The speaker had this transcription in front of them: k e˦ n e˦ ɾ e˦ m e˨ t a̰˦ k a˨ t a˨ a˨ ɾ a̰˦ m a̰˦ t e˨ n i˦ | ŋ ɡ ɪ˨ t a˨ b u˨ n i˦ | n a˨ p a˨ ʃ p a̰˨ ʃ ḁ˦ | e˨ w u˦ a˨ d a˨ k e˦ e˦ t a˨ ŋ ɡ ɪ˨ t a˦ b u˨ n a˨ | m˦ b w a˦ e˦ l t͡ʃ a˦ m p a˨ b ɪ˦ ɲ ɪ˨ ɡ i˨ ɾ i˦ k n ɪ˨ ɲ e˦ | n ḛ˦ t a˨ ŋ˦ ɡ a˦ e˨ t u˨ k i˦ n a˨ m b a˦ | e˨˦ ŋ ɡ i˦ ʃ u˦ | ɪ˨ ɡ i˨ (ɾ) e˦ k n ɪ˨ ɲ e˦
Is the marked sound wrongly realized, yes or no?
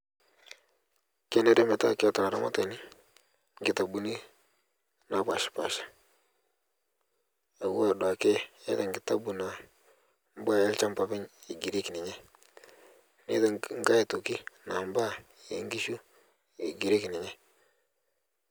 no